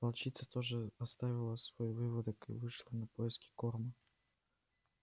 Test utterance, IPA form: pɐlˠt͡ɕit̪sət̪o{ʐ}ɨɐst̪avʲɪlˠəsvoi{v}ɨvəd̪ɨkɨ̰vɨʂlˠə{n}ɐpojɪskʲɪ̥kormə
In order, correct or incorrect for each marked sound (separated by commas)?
correct, correct, correct